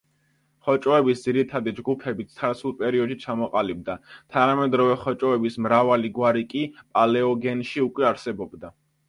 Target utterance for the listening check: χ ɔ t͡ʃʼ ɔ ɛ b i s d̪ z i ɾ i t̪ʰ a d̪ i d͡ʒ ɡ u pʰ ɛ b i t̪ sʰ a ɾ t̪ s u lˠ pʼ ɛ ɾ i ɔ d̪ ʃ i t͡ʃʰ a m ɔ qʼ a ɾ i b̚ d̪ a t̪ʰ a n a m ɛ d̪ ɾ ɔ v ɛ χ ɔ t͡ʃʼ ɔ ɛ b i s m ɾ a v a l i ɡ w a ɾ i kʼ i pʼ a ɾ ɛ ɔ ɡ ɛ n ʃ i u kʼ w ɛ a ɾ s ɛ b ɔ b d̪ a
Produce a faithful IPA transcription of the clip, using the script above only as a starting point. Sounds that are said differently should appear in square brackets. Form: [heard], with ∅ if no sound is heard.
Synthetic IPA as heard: χ ɔ t͡ʃʼ ɔ ɛ b i s d̪ z i ɾ i t̪ʰ a d̪ i d͡ʒ ɡ u pʰ ɛ b i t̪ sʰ a ɾ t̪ s u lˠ pʼ ɛ ɾ i ɔ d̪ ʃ i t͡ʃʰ a m ɔ qʼ a [l] i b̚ d̪ a t̪ʰ a n a m ɛ d̪ ɾ ɔ v ɛ χ ɔ t͡ʃʼ ɔ ɛ b i s m ɾ a v a l i ɡ w a ɾ i kʼ i pʼ a [l] ɛ ɔ ɡ ɛ n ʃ i u kʼ w ɛ a ɾ s ɛ b ɔ b d̪ a